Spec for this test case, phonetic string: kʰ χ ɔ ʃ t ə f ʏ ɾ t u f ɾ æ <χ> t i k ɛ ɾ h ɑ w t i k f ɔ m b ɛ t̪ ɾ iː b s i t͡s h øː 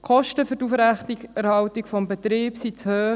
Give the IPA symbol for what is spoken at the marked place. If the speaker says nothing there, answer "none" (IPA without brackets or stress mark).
χ